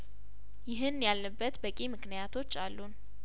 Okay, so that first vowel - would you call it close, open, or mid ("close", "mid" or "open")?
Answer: close